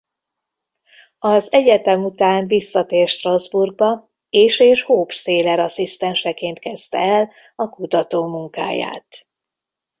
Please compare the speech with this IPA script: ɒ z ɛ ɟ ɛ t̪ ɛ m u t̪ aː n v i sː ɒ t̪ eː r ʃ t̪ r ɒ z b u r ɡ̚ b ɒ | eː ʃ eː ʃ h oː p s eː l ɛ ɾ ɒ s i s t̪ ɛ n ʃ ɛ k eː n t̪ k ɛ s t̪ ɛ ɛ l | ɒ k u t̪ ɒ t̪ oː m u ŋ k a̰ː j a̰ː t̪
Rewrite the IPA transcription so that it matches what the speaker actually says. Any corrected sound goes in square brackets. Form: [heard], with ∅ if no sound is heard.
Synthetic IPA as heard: ɒ z ɛ ɟ ɛ t̪ ɛ m u t̪ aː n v i sː ɒ t̪ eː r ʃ t̪ r ɒ z b u r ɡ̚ b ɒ | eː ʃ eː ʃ h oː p s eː l ɛ ɾ ɒ s i s t̪ ɛ n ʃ ɛ k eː n t̪ k ɛ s t̪ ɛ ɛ l | ɒ k u t̪ ɒ t̪ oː m u ŋ k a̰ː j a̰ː t̪